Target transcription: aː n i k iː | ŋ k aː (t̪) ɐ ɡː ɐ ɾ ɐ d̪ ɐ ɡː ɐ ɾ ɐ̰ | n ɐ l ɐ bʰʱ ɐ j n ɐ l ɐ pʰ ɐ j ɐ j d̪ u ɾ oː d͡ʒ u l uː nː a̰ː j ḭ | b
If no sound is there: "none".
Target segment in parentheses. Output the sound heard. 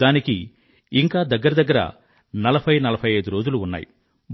d̪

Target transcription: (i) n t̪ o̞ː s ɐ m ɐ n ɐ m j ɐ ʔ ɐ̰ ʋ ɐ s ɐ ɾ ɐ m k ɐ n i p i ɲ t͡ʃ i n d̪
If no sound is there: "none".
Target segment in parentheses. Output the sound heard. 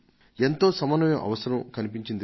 e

